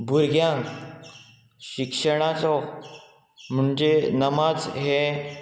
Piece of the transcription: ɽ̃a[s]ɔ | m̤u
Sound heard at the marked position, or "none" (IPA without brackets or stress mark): t͡s